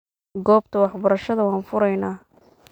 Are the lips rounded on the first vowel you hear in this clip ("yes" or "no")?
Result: yes